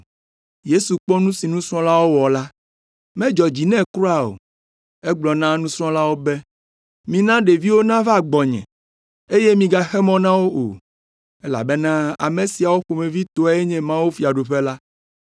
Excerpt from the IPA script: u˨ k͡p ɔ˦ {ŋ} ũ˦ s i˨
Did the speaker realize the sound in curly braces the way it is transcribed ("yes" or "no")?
no